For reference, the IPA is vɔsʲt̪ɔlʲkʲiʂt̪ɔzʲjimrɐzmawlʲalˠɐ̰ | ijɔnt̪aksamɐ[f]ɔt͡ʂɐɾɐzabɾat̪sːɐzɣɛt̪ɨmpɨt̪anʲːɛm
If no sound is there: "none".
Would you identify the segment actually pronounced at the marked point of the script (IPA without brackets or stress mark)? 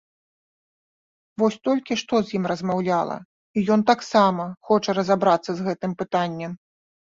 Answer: x